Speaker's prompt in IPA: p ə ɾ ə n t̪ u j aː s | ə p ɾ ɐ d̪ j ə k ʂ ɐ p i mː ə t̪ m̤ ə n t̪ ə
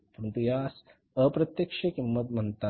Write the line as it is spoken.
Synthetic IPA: p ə ɾ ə n t̪ u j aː s | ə p ɾ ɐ t̪ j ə k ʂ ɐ k i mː ə t̪ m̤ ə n t̪ a